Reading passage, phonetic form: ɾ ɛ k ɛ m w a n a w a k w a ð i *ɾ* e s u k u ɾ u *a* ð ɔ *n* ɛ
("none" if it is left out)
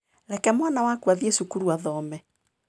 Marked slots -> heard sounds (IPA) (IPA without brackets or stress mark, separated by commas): none, a, m